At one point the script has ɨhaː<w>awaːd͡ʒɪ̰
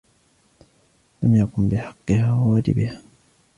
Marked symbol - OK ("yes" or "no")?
yes